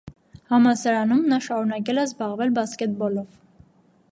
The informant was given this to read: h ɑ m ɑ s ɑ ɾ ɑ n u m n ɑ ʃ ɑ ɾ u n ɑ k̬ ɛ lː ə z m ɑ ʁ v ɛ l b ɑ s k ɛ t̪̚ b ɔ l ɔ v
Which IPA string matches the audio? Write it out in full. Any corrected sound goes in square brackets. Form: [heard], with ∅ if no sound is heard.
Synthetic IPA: h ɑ m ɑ s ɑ ɾ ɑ n u m n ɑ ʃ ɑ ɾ u n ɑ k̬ ɛ [l] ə z [b] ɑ ʁ v ɛ l b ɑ s k ɛ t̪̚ b ɔ l ɔ v